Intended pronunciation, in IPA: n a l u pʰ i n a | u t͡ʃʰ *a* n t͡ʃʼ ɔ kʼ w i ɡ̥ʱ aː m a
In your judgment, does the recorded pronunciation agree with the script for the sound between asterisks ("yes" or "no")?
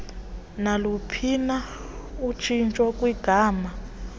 no